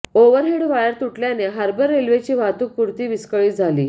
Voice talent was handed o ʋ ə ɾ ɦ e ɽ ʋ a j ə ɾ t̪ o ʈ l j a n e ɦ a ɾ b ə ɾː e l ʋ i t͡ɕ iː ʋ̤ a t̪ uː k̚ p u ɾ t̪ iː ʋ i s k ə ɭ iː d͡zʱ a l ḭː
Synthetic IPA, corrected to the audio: o ʋ ə ɾ ɦ e ɽ ʋ a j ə ɾ t̪ u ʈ l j a n e ɦ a ɾ b ə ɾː e l ʋ e t͡ɕ iː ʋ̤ a t̪ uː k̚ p u ɾ t̪ iː ʋ i s k ə ɭ iː d͡zʱ a l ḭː